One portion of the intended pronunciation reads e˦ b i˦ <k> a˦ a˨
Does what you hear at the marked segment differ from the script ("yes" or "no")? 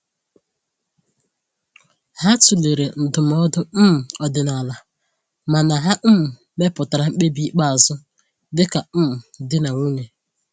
yes